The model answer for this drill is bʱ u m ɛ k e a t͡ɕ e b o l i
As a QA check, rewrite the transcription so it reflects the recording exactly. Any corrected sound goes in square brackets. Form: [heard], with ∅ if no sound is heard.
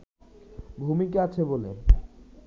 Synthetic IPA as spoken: bʱ u m [i] k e a [t͡ɕʰ] e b o l [e]